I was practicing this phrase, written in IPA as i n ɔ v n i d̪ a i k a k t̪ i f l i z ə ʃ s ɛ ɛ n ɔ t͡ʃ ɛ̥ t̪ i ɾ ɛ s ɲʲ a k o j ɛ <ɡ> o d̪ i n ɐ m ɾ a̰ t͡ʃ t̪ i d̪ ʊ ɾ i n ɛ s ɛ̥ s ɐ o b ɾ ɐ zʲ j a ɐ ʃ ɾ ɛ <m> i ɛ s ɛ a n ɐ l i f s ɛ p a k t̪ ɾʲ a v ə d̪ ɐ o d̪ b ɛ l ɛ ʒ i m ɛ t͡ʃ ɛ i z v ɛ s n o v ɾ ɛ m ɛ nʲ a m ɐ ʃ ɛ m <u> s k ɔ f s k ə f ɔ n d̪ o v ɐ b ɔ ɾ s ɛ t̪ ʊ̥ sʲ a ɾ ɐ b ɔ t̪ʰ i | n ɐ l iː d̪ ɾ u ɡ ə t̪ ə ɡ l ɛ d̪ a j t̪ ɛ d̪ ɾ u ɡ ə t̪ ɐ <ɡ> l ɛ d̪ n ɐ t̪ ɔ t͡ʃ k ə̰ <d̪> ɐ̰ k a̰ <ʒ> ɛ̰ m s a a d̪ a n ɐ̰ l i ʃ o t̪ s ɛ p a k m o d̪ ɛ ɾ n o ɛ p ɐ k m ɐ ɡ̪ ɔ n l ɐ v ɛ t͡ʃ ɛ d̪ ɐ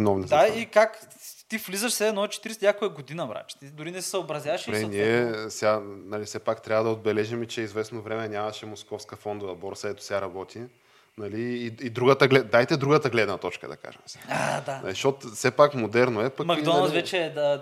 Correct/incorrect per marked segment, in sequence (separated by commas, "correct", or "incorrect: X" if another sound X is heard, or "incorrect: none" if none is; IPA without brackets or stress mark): correct, incorrect: n, incorrect: o, correct, correct, correct